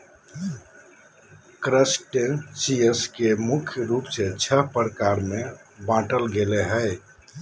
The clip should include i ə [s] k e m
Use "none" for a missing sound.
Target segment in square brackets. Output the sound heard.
s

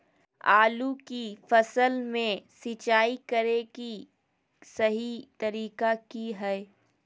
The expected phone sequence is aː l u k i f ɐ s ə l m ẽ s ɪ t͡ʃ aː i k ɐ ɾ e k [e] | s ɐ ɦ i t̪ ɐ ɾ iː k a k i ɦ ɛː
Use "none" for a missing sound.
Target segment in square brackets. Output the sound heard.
i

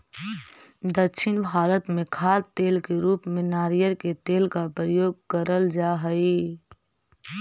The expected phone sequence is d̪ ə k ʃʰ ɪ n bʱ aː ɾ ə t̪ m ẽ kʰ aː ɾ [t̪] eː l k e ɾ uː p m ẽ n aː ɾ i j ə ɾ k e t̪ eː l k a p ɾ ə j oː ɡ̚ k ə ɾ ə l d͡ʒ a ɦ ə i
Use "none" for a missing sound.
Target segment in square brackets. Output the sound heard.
t̪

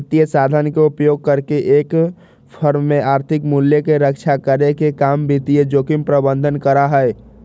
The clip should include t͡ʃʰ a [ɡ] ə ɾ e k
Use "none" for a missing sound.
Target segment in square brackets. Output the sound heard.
k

